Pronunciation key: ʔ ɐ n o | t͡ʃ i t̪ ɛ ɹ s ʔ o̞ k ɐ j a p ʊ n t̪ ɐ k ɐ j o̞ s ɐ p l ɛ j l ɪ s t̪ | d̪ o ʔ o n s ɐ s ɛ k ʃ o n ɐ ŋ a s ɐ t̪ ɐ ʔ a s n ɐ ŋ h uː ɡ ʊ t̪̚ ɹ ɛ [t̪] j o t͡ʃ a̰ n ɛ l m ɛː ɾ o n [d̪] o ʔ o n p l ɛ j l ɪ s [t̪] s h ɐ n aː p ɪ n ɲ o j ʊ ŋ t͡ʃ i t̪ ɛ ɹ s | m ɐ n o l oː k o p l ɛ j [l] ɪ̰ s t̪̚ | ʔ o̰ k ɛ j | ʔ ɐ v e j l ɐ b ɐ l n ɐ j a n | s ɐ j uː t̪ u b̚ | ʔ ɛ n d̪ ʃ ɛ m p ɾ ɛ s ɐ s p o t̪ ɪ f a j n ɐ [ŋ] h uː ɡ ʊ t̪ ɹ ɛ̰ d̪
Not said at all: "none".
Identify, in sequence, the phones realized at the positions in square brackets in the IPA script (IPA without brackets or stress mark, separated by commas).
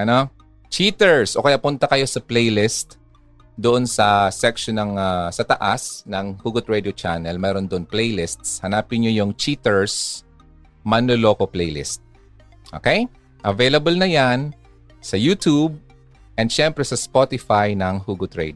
d̪, d̪, t̪, l, ŋ